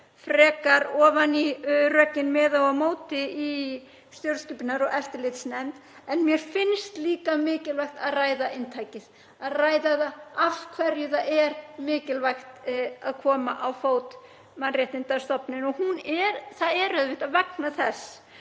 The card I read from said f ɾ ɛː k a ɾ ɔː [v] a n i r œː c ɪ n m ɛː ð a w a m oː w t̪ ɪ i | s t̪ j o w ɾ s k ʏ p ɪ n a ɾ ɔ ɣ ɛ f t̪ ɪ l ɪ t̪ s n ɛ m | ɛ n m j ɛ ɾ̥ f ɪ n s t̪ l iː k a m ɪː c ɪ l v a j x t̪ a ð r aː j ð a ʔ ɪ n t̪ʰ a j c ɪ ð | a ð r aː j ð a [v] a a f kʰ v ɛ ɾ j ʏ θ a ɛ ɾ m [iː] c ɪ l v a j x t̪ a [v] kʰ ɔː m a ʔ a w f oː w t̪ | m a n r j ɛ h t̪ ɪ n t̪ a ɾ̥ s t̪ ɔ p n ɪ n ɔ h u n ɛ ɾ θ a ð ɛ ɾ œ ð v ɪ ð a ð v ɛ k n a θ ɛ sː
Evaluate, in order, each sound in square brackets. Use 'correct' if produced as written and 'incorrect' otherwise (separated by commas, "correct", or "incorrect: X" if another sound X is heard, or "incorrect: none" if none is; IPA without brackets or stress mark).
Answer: correct, incorrect: ð, incorrect: ɪː, incorrect: ð